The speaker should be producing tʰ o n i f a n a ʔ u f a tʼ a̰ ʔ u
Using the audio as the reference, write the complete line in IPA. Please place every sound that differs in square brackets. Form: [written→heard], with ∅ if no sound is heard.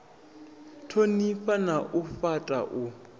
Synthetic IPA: tʰ o n i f a n a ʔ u f a tʼ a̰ ʔ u